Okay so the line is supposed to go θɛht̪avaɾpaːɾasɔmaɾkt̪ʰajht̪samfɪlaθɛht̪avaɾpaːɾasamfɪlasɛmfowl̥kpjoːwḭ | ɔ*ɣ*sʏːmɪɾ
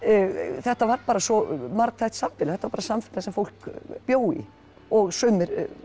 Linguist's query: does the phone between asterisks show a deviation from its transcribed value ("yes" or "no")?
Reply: no